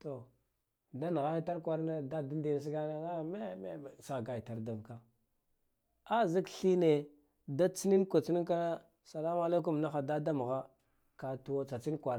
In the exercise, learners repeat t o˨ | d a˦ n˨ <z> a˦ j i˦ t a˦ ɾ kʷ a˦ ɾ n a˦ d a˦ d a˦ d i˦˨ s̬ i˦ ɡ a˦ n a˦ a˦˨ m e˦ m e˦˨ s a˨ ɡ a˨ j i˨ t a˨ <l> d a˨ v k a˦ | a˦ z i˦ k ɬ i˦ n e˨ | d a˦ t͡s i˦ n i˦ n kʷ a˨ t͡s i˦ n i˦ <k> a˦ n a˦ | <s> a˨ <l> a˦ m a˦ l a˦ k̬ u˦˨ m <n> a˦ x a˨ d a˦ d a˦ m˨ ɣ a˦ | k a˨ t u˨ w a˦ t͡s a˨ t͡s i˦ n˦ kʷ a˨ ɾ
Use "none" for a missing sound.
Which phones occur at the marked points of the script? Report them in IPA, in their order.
ɣ, ɾ, k, s, l, n

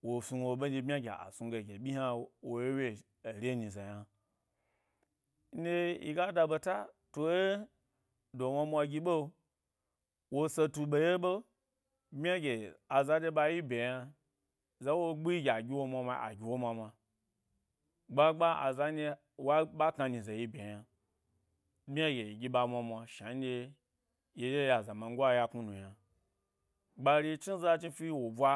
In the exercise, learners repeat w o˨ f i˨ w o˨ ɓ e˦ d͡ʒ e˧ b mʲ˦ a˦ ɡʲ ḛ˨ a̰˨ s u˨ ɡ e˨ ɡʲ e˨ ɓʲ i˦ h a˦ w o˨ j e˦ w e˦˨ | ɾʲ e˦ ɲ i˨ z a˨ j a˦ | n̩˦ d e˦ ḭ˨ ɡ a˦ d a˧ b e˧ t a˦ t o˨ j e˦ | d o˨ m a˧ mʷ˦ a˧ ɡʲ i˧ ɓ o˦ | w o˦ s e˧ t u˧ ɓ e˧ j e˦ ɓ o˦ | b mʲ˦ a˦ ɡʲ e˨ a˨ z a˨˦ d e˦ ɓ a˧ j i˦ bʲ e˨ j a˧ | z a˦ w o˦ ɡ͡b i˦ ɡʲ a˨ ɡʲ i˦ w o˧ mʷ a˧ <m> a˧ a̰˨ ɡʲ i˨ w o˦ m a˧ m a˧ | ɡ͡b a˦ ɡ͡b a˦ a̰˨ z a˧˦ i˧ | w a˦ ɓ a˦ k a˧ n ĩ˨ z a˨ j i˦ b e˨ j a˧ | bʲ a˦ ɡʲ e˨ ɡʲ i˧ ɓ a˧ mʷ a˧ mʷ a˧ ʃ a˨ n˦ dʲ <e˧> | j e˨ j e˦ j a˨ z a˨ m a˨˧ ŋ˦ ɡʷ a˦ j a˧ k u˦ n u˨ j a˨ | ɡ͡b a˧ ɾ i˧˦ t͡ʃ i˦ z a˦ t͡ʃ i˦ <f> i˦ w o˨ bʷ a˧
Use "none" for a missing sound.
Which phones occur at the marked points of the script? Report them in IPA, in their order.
m, e˧, f

